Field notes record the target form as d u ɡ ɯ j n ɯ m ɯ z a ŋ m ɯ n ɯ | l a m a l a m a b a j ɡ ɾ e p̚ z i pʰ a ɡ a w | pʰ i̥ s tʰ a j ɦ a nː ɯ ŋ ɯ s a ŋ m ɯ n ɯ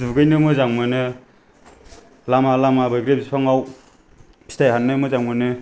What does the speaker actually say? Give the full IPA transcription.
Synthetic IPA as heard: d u ɡ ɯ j n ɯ m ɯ z a ŋ m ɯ n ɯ | l a m a l a m a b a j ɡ ɾ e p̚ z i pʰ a ŋ a w | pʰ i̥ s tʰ a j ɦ a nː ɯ m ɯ z a ŋ m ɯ n ɯ